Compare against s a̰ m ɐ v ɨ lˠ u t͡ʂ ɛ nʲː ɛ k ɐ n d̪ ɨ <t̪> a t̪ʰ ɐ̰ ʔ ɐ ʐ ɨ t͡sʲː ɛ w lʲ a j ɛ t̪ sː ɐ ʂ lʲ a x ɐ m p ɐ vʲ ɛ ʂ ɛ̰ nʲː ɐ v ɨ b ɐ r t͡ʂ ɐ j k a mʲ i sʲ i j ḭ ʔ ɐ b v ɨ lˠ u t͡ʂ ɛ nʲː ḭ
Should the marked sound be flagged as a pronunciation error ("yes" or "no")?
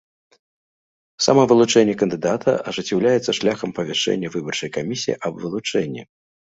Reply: yes